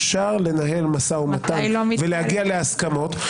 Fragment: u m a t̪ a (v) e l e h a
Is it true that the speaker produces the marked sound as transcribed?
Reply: yes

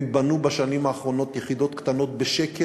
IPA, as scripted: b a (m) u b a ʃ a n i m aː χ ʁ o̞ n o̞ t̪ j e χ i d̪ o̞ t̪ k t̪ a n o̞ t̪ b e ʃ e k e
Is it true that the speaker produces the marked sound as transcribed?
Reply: no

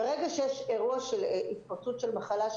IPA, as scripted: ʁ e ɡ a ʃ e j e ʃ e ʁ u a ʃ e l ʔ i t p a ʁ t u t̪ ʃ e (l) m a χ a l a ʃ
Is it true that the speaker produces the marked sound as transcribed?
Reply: yes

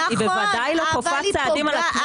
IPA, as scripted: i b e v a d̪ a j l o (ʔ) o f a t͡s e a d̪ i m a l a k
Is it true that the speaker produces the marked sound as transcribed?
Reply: no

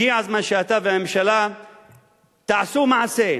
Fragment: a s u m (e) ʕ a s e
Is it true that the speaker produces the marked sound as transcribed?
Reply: no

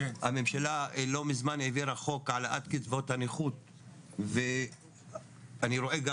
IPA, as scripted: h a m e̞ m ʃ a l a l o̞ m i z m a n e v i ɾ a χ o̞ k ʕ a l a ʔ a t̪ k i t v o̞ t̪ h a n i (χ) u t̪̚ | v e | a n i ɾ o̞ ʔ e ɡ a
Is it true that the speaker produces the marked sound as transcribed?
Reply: yes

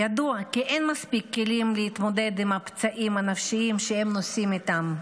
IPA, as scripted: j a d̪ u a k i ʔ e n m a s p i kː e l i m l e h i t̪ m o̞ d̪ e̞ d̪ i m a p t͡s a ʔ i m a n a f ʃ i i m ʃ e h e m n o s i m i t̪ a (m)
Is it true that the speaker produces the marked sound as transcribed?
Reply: yes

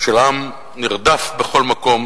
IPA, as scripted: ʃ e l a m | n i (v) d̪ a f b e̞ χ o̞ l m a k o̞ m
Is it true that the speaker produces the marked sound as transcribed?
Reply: no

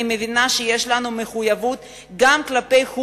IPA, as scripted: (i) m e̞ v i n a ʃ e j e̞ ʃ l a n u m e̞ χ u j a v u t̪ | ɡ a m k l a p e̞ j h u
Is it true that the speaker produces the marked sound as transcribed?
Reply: yes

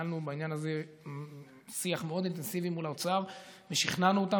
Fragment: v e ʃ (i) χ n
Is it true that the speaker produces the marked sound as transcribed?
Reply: yes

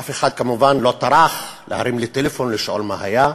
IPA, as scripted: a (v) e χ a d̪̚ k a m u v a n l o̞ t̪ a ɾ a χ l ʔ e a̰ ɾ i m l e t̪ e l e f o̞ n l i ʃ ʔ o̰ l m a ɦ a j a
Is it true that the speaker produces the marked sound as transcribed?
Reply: no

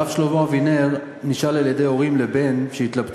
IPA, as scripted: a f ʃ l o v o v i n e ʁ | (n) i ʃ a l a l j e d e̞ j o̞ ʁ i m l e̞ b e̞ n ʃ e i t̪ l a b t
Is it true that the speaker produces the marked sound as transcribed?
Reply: yes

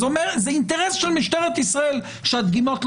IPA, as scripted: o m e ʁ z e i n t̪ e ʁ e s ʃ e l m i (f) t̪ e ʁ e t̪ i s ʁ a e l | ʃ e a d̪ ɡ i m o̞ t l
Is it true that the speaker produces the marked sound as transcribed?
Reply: no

